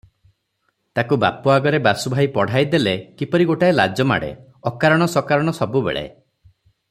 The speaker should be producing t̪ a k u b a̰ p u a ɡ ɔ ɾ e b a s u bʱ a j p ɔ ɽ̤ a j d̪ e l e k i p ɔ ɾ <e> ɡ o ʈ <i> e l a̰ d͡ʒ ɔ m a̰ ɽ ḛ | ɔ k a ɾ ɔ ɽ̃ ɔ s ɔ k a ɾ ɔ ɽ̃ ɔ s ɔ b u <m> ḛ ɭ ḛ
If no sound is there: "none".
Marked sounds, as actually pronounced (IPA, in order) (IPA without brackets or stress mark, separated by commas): i, a, b